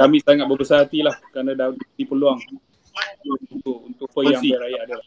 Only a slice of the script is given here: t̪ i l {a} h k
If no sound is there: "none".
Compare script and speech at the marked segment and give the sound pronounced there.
a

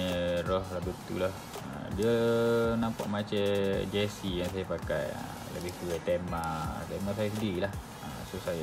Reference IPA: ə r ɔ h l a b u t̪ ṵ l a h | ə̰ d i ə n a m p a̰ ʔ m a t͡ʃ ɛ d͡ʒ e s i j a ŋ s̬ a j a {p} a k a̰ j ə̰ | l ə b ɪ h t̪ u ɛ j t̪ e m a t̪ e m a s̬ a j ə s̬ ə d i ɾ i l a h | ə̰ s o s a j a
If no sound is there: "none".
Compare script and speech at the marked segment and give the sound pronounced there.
p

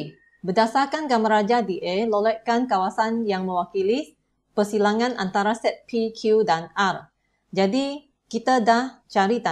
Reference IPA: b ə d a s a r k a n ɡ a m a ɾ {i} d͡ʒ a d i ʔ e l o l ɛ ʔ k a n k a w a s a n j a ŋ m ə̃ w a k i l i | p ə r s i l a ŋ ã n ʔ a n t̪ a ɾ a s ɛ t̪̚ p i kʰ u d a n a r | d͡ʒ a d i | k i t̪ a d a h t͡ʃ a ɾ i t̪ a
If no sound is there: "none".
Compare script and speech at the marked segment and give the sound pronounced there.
a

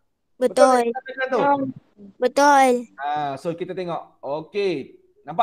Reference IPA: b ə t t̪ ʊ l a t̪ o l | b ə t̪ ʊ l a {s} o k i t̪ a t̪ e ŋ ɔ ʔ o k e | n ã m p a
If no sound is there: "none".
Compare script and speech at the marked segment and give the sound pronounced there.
s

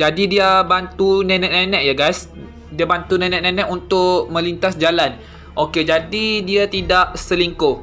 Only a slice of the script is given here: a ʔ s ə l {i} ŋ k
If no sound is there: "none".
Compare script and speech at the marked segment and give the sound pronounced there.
i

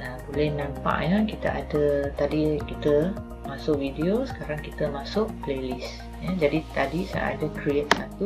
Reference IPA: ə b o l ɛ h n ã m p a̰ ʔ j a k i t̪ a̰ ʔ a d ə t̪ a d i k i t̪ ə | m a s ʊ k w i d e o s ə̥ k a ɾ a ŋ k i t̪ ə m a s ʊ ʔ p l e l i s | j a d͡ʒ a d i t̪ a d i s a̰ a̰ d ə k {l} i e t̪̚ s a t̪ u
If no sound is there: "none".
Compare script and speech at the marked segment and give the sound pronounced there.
ɾ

